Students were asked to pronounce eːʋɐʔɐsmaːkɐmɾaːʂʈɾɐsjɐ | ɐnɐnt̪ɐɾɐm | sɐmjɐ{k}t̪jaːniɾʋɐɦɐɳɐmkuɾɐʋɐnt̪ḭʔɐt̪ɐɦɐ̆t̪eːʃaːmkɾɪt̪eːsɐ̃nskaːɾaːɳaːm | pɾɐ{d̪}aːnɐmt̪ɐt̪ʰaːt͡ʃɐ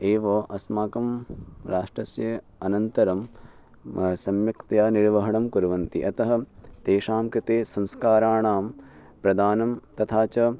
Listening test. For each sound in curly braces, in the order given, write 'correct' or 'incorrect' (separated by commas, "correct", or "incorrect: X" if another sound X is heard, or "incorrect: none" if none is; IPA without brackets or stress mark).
correct, correct